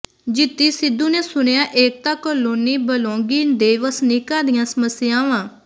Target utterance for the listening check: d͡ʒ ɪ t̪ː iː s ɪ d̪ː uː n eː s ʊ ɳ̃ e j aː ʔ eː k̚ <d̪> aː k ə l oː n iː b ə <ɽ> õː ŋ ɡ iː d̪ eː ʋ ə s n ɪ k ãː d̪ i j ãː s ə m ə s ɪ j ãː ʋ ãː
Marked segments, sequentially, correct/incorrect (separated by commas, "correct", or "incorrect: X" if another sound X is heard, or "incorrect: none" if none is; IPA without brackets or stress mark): incorrect: t̪, incorrect: l